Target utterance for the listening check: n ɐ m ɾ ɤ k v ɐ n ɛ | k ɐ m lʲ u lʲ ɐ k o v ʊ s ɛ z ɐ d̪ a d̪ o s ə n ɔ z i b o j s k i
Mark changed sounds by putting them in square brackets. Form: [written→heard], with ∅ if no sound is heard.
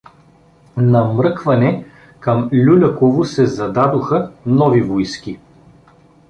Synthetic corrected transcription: n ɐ m ɾ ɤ k v ɐ n ɛ | k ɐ m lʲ u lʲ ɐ k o v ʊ s ɛ z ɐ d̪ a d̪ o [s→x] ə n ɔ [z→v] i [b→v] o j s k i